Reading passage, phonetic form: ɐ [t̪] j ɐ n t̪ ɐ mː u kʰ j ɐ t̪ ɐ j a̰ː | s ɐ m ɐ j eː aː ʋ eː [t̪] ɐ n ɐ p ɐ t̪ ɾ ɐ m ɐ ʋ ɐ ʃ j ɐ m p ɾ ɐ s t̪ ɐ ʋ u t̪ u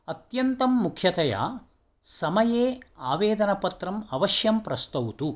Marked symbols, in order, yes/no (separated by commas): yes, no